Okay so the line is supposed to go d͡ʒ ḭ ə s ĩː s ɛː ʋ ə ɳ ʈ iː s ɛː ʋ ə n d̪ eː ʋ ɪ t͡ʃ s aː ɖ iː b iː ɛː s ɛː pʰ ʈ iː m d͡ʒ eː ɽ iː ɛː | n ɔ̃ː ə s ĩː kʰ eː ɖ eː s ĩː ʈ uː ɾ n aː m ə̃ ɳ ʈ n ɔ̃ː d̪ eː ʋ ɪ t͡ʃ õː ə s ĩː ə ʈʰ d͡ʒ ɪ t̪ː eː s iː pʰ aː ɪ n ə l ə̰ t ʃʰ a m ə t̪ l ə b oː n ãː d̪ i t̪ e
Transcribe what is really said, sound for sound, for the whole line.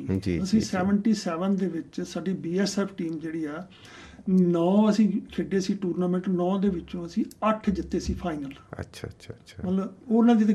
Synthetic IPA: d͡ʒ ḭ ə s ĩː s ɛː ʋ ə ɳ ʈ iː s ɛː ʋ ə n d̪ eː ʋ ɪ t͡ʃ s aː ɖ iː b iː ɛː s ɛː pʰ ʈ iː m d͡ʒ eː ɽ iː ɛː | n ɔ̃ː ə s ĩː kʰ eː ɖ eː s iː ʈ uː ɾ n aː m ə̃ ɳ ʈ n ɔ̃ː d̪ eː ʋ ɪ t͡ʃ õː ə s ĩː ə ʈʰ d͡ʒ ɪ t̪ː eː s iː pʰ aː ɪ n ə l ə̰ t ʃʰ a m ə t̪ l ə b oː n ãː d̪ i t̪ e